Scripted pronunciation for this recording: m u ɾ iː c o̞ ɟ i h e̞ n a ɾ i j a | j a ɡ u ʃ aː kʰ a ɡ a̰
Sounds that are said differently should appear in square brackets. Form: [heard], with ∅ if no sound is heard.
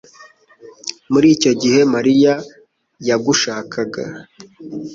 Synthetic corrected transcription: m u ɾ iː c o̞ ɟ i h e̞ [m] a ɾ i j a | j a ɡ u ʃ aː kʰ a ɡ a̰